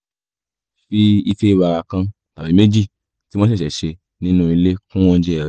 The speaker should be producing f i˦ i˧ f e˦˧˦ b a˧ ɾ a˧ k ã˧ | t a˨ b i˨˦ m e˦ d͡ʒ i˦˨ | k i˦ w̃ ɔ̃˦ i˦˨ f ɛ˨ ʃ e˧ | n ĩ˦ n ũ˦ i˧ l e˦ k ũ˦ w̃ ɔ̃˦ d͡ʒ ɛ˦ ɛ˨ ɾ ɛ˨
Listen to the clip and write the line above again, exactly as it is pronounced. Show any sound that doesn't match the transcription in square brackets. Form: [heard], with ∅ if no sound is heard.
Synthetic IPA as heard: f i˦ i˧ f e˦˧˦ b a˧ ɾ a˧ k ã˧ | t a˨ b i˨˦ m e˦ d͡ʒ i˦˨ | [t] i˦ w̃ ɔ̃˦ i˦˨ [ʃ] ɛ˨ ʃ e˧ | n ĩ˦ n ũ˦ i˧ l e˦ k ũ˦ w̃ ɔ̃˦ d͡ʒ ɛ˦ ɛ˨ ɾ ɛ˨